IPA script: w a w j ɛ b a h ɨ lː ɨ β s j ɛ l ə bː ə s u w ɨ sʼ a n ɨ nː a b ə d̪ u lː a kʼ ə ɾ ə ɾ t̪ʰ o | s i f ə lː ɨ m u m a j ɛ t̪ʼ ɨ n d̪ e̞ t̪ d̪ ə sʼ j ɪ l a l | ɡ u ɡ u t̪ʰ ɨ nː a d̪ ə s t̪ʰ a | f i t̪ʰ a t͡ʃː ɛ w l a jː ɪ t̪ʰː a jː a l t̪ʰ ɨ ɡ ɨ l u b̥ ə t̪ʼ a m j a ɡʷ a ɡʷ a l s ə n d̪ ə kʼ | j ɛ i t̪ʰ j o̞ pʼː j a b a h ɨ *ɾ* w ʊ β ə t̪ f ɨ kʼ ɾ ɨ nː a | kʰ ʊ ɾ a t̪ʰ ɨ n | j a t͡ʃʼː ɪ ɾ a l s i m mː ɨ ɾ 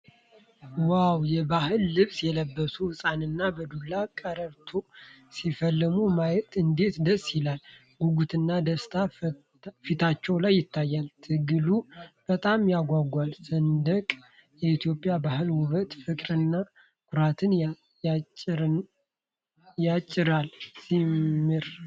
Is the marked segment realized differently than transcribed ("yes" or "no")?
yes